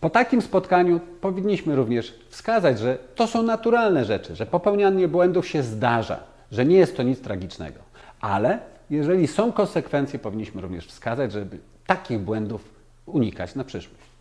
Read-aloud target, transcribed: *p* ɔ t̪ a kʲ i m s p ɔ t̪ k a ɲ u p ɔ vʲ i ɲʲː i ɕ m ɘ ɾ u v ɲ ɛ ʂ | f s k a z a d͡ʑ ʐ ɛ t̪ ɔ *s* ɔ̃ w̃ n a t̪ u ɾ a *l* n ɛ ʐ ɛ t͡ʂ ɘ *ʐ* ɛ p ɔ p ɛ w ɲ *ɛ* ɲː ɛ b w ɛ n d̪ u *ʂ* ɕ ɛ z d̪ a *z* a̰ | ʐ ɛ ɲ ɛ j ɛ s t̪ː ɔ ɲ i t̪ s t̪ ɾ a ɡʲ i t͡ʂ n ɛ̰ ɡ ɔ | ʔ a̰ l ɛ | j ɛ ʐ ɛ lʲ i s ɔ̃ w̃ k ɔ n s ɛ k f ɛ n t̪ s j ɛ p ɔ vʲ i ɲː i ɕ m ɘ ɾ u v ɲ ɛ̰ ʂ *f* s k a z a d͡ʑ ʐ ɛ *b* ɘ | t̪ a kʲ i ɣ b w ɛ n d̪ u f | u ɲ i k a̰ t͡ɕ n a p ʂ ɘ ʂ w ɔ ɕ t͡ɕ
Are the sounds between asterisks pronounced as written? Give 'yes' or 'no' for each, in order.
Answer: yes, yes, yes, yes, no, no, no, yes, yes

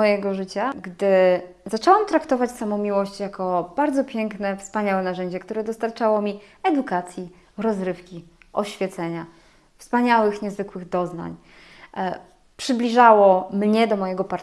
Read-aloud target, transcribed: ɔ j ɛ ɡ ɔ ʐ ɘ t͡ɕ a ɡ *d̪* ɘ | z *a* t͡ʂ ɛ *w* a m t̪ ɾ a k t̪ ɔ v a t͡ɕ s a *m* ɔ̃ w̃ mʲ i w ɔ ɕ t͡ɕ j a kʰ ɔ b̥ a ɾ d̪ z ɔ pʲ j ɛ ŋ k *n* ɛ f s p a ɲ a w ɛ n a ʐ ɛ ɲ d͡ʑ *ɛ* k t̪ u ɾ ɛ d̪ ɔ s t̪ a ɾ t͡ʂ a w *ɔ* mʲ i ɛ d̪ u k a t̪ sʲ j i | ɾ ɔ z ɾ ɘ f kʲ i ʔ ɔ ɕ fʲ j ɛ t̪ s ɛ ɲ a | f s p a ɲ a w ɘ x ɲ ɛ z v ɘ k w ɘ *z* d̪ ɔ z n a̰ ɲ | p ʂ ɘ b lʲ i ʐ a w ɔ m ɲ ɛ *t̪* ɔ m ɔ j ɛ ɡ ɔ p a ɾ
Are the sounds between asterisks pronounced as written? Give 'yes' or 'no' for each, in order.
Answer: yes, yes, yes, yes, yes, yes, yes, no, no

